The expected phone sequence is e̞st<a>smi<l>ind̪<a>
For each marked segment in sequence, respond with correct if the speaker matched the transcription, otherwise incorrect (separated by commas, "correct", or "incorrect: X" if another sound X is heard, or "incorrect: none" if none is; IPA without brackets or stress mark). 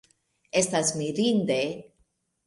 correct, incorrect: ɾ, incorrect: e